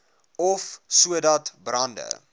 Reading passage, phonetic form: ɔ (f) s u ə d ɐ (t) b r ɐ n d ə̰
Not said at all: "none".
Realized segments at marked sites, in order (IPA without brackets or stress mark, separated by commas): f, t